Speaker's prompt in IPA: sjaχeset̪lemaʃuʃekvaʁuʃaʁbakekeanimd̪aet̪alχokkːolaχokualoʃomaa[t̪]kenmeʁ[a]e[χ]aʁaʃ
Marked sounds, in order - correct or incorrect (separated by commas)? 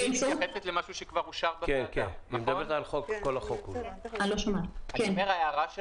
incorrect, correct, incorrect